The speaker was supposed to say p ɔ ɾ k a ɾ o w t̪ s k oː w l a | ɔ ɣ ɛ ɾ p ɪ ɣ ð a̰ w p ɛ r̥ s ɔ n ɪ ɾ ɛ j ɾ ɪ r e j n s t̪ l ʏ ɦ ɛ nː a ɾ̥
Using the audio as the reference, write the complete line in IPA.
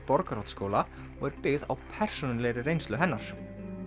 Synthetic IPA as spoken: p ɔ ɾ k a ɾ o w t̪ s k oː w l a | ɔ ɣ ɛ ɾ p ɪ ɣ ð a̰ w pʰ ɛ r̥ s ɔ n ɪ l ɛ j ɾ ɪ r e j n s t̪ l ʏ ɦ ɛ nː a ɾ̥